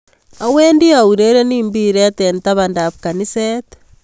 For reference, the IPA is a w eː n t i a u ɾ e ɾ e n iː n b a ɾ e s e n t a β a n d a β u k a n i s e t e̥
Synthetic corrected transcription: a w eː n d i a u ɾ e ɾ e n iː m b i ɾ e t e n t a β a n d a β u k a n i s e t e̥